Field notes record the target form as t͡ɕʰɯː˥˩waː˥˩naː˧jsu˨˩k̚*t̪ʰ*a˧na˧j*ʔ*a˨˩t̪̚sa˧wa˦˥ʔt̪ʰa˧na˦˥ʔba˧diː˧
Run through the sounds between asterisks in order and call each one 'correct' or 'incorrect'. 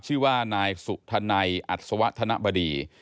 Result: correct, correct

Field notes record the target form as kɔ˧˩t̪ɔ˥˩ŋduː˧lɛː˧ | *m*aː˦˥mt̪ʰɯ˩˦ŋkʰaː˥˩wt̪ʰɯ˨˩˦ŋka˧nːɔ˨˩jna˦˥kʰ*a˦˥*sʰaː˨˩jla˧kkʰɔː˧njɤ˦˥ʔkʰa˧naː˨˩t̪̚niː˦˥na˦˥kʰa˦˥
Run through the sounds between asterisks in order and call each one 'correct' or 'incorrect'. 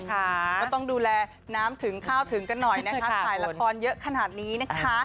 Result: incorrect, correct

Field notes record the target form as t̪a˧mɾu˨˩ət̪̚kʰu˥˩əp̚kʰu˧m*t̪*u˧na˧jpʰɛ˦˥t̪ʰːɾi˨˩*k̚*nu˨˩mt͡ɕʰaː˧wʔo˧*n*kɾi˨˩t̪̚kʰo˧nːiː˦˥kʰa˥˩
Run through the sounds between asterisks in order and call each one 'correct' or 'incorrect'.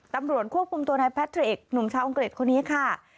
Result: correct, correct, incorrect

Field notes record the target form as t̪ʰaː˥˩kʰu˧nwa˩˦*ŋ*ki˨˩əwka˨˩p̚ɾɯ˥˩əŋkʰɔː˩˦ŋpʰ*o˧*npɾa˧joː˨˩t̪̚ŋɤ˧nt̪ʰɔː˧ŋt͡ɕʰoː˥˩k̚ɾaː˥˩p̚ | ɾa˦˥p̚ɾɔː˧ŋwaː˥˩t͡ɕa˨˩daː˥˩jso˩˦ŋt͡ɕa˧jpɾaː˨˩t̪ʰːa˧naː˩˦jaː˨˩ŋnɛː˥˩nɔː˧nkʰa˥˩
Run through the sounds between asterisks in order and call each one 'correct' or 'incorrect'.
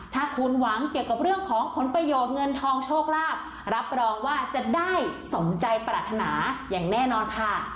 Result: correct, incorrect

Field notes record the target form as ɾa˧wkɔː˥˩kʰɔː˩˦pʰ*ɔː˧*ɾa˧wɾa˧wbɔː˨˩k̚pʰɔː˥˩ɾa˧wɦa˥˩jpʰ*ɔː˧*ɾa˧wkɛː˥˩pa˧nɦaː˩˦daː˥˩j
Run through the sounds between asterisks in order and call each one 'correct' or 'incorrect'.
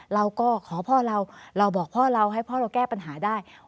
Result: incorrect, incorrect

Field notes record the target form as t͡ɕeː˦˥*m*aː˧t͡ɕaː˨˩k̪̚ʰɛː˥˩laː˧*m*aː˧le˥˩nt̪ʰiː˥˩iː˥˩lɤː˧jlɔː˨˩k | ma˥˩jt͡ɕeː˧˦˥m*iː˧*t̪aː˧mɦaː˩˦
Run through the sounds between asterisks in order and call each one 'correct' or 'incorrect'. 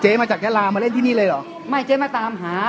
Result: correct, correct, incorrect

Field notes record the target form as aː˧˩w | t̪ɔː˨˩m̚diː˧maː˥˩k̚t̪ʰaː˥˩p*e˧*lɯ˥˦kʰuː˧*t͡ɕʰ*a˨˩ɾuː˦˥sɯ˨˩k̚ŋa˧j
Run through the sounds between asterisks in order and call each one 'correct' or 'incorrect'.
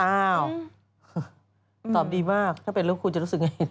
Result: correct, incorrect

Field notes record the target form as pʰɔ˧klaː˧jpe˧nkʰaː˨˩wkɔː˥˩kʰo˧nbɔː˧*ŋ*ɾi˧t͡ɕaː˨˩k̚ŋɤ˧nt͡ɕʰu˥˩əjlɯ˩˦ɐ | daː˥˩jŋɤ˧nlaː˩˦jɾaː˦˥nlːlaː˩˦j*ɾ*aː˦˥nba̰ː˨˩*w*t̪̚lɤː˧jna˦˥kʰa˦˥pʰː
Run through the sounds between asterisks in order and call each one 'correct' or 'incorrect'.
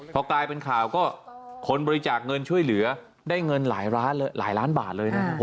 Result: incorrect, incorrect, incorrect

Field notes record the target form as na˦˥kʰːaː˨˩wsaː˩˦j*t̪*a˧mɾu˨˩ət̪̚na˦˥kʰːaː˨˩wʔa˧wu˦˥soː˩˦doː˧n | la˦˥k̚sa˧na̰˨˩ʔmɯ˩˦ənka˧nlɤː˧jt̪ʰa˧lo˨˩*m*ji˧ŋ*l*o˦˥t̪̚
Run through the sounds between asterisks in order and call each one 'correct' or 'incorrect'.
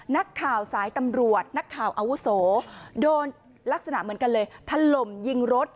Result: correct, correct, incorrect

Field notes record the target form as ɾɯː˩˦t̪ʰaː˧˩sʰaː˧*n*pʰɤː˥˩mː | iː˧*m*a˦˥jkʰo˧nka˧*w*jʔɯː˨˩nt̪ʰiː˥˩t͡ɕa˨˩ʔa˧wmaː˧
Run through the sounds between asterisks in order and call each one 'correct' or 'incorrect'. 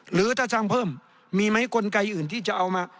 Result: incorrect, correct, incorrect

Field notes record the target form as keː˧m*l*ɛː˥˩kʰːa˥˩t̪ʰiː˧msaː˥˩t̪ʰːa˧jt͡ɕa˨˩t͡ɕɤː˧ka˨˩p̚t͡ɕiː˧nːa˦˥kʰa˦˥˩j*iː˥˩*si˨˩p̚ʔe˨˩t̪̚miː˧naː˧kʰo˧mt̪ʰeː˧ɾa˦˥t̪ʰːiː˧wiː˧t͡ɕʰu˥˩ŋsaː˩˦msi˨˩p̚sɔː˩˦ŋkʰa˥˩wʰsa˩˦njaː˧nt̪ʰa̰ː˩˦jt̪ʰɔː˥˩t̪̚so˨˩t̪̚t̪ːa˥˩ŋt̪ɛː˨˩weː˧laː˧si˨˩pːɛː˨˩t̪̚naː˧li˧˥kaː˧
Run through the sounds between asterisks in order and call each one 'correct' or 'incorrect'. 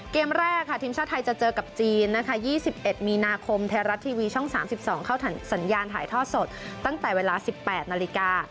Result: incorrect, correct

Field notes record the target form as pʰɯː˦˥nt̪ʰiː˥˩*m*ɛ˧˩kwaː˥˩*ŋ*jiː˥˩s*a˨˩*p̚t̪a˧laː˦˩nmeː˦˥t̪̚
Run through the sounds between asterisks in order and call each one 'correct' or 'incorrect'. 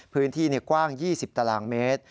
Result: incorrect, correct, incorrect

